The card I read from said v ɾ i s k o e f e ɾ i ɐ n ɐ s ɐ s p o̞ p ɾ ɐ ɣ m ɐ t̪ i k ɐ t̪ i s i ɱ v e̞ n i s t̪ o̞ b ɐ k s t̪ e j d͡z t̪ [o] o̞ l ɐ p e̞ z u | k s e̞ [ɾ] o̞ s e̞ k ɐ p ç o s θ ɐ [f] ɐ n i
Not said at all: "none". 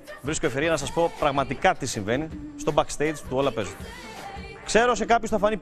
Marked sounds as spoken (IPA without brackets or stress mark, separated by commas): u, ɾ, f